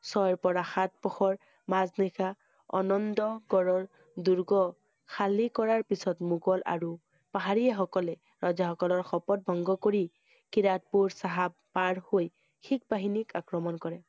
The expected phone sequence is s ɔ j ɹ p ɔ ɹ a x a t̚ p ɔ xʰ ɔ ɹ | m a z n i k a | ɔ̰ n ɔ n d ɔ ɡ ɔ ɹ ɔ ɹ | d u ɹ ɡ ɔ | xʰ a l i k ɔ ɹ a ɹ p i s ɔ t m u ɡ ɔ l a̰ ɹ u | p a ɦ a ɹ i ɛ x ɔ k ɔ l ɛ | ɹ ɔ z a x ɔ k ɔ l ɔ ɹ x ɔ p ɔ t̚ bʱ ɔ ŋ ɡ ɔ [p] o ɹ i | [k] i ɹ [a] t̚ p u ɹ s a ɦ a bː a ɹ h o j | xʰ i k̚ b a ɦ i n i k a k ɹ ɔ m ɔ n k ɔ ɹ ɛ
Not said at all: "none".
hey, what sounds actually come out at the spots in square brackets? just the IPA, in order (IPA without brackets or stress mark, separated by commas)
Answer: k, k, a